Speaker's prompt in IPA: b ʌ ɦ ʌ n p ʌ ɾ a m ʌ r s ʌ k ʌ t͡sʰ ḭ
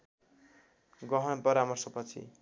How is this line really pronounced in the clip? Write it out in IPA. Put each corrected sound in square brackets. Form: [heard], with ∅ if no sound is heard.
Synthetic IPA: [ɡ] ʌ ɦ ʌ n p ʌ ɾ a m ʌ r s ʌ [p] ʌ t͡sʰ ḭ